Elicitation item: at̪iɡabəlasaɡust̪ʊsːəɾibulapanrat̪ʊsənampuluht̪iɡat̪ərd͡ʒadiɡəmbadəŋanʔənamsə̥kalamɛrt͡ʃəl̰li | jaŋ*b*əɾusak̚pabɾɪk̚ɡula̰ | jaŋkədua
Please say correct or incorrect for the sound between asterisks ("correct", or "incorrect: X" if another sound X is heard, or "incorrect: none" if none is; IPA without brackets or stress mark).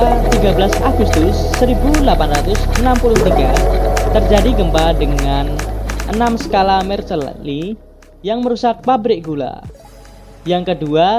incorrect: m